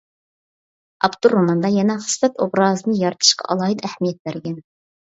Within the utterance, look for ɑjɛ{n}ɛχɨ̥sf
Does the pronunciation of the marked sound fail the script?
no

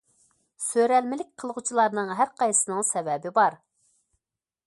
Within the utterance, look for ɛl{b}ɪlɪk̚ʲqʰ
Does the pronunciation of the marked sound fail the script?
yes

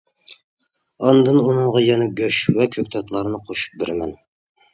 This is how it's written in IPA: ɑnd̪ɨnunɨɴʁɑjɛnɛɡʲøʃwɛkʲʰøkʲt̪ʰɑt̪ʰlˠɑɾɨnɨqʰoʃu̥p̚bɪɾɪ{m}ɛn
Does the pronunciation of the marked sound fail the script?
no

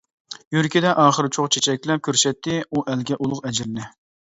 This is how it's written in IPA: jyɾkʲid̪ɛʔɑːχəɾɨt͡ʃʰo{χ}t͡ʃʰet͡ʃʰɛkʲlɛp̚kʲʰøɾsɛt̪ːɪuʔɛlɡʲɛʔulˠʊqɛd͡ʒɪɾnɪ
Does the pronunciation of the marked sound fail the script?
no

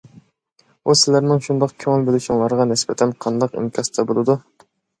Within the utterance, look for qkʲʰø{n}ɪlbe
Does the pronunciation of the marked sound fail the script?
yes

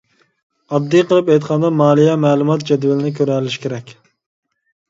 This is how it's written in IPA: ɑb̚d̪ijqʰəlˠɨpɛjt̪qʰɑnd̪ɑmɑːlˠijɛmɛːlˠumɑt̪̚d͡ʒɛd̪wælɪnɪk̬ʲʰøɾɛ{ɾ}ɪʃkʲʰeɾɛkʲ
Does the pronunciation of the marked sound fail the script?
yes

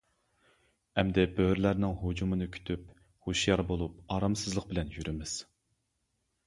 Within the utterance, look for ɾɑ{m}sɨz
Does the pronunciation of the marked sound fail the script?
no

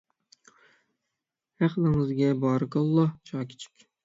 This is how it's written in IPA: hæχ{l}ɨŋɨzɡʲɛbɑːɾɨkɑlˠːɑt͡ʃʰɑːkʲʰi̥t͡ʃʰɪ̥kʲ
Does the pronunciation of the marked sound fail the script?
no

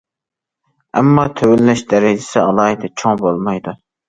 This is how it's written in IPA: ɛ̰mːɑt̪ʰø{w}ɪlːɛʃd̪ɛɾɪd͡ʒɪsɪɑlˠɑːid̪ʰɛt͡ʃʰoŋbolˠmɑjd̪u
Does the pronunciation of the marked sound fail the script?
no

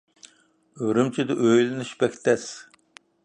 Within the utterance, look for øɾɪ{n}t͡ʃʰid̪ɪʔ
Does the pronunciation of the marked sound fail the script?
yes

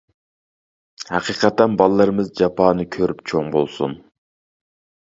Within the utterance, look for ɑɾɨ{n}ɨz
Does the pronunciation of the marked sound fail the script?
yes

